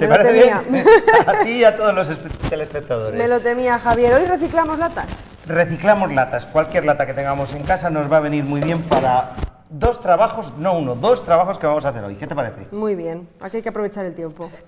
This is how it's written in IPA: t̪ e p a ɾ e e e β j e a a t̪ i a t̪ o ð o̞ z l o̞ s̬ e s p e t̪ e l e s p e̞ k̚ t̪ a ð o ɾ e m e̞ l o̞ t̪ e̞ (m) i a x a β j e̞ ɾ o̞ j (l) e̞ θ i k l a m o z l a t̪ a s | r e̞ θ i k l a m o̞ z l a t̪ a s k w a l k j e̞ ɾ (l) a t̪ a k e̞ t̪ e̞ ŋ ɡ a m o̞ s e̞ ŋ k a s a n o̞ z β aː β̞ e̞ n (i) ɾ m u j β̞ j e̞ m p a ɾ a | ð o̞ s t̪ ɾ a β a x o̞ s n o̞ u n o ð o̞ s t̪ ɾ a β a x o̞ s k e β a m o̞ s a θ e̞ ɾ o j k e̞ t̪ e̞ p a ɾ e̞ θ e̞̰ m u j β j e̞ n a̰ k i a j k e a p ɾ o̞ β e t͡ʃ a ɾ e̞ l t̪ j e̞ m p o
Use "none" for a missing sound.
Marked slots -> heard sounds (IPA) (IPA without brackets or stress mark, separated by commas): m, r, l, i